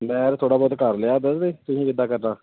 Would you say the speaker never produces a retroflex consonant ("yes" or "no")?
no